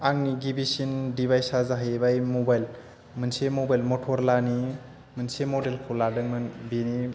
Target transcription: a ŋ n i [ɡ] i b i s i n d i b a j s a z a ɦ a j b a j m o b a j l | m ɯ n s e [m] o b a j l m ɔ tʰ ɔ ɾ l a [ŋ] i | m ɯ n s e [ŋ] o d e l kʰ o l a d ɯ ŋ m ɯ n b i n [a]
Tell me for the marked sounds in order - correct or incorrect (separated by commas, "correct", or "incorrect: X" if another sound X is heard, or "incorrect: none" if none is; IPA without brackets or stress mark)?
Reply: correct, correct, incorrect: n, incorrect: m, incorrect: i